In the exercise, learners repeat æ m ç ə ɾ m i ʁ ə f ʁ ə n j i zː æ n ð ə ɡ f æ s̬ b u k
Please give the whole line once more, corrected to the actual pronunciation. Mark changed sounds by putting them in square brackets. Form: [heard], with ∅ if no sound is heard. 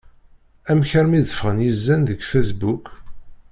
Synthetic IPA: æ m ç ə ɾ m i [ð] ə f ʁ ə n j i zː æ n ð ə ɡ f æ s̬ b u k